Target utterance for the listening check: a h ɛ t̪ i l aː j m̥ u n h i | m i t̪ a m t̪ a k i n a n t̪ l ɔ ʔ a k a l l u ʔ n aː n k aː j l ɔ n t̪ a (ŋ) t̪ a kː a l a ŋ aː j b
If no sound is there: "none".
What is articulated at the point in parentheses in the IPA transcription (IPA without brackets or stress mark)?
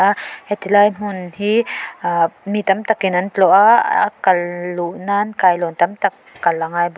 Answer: m